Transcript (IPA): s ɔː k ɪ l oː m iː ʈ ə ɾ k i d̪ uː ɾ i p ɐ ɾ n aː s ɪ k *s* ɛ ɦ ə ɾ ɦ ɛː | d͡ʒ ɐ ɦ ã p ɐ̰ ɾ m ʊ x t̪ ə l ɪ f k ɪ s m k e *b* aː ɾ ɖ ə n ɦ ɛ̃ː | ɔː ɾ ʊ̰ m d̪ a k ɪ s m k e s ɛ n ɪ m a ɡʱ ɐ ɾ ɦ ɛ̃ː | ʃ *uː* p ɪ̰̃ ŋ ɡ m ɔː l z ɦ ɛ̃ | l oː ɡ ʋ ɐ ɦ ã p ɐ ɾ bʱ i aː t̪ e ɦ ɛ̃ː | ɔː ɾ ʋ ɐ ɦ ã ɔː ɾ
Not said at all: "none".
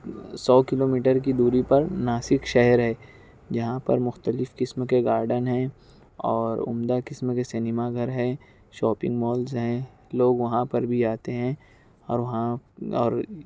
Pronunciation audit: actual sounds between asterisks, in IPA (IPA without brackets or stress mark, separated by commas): ʃ, ɡ, ɔː